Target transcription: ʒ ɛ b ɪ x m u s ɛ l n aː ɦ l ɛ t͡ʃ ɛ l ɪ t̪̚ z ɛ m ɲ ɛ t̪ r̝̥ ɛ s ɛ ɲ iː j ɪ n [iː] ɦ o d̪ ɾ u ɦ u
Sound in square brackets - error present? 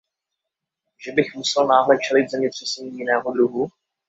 yes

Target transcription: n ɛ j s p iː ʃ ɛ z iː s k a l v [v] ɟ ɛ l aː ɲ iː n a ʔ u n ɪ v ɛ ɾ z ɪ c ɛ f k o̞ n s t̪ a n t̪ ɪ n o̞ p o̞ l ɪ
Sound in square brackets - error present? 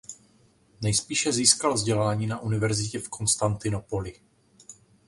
yes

